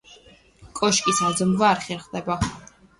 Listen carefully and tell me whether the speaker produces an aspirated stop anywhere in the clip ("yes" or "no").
no